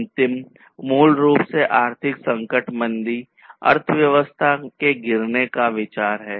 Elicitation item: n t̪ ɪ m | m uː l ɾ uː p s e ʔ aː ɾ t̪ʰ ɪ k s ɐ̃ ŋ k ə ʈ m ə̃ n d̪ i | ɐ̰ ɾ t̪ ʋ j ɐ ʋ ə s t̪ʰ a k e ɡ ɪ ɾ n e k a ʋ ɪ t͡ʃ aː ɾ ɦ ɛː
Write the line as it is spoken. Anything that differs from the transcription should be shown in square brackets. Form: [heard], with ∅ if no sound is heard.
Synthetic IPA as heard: n t̪ ɪ m | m uː l ɾ uː p s e ʔ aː ɾ t̪ʰ ɪ k s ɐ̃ ŋ k ə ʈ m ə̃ n d̪ i | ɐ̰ ɾ [t̪ʰ] ʋ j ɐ ʋ ə s t̪ʰ a k e ɡ ɪ ɾ n e k a ʋ ɪ t͡ʃ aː ɾ ɦ ɛː